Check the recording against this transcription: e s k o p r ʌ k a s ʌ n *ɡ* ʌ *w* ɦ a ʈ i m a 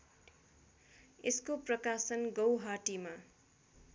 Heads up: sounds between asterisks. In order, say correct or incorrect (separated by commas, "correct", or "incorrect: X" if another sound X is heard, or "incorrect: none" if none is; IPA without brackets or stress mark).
correct, correct